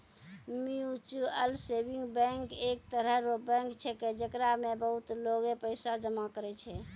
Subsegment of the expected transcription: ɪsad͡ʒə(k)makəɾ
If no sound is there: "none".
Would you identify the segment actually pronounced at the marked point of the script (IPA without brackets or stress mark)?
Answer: none